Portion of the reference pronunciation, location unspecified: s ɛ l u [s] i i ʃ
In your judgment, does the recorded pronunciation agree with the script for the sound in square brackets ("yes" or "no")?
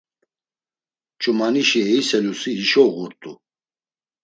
yes